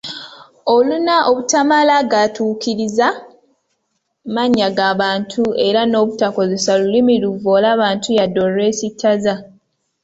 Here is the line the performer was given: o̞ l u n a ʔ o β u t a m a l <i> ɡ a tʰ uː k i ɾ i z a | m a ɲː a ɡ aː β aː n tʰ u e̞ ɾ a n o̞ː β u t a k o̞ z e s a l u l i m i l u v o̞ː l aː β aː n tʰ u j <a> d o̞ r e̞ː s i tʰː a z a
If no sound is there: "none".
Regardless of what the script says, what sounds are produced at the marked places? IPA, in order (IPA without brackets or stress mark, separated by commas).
a, a